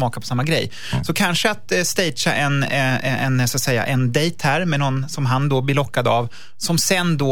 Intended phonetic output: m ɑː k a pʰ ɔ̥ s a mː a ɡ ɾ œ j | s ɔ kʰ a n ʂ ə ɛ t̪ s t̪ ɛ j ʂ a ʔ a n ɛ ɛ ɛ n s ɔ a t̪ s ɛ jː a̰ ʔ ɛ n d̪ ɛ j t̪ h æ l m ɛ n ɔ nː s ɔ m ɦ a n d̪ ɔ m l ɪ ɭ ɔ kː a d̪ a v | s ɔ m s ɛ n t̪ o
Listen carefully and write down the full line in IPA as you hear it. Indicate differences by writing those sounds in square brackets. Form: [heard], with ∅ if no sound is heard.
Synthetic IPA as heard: m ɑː k a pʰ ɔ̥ s a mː a ɡ ɾ [ɛ] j | s ɔ kʰ a n ʂ ə [a] t̪ s t̪ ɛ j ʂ a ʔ [ɛ] n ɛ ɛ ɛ n s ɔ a t̪ s ɛ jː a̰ ʔ ɛ n d̪ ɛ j t̪ h æ [ɾ] m ɛ n ɔ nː s ɔ m ɦ a n d̪ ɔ [b] l ɪ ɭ ɔ kː a d̪ a v | s ɔ m s ɛ n [d̪] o